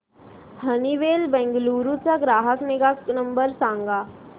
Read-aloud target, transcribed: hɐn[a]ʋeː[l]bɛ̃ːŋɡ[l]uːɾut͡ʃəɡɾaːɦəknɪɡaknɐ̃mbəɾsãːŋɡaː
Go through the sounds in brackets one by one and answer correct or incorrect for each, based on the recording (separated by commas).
incorrect, correct, correct